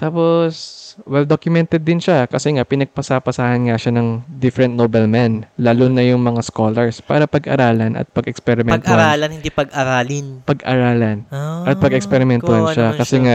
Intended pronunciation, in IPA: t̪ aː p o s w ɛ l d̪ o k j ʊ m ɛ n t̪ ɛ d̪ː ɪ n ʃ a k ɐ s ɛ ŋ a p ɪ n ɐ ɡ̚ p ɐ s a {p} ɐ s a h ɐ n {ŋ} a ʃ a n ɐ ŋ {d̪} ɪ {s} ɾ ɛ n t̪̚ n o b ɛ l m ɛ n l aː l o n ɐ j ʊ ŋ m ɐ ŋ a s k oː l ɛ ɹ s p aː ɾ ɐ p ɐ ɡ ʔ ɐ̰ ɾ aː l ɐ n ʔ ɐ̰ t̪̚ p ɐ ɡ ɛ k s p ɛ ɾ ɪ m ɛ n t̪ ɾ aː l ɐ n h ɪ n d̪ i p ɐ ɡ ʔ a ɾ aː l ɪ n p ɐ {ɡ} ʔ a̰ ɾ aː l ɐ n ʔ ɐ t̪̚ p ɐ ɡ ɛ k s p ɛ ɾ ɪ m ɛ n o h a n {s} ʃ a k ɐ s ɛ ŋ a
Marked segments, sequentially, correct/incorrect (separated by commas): correct, correct, correct, incorrect, correct, incorrect